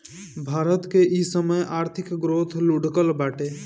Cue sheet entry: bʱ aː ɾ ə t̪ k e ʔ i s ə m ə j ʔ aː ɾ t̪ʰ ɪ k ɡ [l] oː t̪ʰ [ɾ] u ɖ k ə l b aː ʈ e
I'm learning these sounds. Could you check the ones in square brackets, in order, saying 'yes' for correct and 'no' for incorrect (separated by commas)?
no, no